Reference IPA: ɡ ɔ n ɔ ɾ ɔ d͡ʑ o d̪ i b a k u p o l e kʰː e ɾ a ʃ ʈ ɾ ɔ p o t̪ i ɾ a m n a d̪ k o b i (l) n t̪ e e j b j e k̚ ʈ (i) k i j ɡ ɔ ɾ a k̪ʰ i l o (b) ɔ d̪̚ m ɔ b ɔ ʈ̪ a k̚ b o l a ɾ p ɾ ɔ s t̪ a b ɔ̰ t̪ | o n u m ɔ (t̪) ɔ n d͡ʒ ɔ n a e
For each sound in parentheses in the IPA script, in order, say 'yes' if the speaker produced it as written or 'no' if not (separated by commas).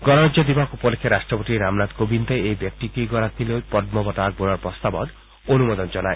no, yes, no, no